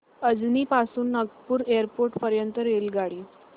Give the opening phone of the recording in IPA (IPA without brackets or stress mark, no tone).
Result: ə